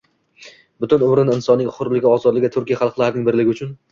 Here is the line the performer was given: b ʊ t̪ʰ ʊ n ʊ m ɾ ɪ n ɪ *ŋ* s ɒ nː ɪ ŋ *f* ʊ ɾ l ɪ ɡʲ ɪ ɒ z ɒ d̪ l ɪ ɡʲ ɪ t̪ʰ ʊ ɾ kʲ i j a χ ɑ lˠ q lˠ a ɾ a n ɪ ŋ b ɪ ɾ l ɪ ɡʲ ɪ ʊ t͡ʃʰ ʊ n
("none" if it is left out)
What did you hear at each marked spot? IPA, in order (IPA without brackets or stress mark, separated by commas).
n, χ